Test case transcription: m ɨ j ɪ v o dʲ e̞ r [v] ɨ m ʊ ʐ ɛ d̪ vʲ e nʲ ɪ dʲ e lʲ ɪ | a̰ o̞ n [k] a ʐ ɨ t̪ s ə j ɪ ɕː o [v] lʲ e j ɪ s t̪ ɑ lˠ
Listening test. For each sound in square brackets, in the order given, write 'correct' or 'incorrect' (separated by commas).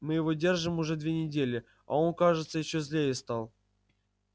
incorrect, correct, incorrect